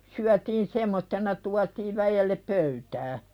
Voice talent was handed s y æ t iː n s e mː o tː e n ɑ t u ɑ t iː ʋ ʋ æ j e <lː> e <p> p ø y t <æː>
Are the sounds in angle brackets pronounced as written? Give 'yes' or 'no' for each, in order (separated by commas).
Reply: yes, yes, yes